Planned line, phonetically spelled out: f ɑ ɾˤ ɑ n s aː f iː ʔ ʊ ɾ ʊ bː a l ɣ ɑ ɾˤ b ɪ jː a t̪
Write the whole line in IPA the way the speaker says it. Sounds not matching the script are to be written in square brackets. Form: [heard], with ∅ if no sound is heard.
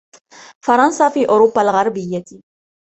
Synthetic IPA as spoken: f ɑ ɾˤ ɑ n s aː f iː ʔ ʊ ɾ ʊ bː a l ɣ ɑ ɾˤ b ɪ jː a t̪